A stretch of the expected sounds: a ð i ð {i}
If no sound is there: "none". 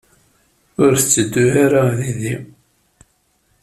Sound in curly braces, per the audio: i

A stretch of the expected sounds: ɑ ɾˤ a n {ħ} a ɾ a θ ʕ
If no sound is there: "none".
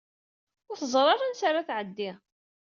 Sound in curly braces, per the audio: s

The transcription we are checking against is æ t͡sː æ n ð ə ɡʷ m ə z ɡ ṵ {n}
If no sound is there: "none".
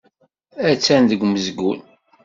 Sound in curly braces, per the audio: n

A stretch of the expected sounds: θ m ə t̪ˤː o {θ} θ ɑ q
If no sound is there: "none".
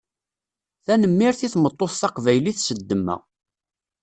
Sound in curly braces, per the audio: θ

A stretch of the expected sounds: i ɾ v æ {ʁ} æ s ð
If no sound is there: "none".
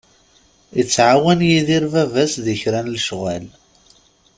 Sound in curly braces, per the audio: v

